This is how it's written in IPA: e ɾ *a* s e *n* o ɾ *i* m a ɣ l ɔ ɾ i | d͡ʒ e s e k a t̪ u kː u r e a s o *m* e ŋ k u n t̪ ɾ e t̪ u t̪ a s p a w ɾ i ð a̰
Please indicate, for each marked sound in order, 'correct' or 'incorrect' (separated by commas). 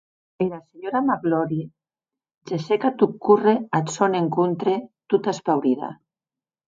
correct, incorrect, incorrect, incorrect